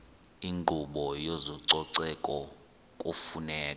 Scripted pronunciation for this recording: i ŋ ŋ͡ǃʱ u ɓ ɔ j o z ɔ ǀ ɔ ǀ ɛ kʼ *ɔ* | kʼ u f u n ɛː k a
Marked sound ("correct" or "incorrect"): correct